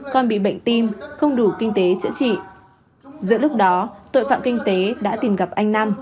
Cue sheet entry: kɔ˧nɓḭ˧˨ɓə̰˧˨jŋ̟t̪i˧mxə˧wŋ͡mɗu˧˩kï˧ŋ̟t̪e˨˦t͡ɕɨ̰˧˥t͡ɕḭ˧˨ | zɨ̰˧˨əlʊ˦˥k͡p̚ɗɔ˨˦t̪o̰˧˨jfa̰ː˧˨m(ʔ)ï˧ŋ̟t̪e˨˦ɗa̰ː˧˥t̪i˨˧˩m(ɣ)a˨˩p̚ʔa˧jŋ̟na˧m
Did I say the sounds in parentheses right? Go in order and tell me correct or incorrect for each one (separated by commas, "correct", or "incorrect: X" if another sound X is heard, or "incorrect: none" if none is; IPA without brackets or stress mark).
incorrect: k, correct